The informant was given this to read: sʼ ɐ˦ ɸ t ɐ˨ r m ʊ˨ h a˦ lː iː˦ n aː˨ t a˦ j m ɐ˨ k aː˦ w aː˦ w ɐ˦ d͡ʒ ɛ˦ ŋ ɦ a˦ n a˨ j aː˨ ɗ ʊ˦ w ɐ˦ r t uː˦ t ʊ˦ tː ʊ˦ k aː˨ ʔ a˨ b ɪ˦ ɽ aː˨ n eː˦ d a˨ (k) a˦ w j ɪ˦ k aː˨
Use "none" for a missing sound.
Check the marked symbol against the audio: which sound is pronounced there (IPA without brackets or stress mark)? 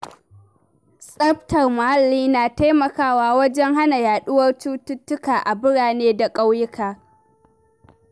kʼ